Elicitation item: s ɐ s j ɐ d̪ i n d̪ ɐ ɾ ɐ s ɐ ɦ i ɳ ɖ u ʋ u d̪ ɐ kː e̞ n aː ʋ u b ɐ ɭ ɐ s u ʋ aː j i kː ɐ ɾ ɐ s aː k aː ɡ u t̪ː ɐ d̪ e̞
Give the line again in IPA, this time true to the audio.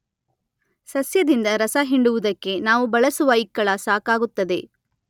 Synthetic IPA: s ɐ s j ɐ d̪ i n d̪ ɐ ɾ ɐ s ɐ ɦ i ɳ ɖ u ʋ u d̪ ɐ kː e̞ n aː ʋ u b ɐ ɭ ɐ s u ʋ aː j i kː ɐ ɭ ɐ s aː k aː ɡ u t̪ː ɐ d̪ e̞